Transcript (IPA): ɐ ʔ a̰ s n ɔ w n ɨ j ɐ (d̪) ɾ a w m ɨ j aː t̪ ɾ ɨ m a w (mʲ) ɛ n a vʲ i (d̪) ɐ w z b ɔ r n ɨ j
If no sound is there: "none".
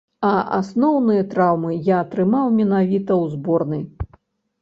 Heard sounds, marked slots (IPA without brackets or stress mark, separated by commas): t̪, mʲ, t̪